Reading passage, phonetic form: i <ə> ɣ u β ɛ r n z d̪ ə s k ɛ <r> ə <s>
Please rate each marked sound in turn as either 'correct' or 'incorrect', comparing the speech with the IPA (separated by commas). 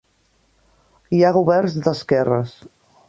incorrect, correct, correct